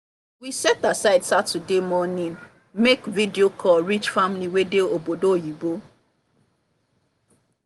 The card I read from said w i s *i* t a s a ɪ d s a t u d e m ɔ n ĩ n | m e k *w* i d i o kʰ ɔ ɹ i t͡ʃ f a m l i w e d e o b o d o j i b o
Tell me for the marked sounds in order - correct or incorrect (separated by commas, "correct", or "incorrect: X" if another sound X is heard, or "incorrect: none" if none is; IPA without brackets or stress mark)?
incorrect: ɛ, incorrect: v